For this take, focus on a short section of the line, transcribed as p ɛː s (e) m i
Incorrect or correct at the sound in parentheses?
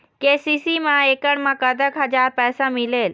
incorrect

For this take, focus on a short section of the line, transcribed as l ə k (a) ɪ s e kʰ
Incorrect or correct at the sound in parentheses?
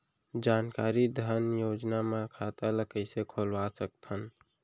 incorrect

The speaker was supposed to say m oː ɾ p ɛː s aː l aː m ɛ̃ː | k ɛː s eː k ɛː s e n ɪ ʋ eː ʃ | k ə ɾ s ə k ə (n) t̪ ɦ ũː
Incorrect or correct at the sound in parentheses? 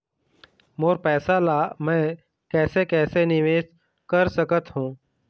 incorrect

